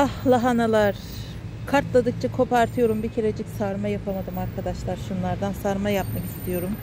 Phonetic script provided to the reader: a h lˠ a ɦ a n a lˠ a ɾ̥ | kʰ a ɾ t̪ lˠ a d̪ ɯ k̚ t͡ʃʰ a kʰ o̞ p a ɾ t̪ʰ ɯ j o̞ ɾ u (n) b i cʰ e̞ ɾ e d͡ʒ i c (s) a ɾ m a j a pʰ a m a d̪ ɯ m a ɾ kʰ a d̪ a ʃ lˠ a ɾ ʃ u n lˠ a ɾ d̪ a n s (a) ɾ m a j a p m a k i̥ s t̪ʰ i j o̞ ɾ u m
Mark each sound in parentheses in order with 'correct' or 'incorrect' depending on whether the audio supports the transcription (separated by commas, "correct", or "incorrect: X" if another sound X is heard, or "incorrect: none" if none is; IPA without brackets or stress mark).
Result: incorrect: m, correct, correct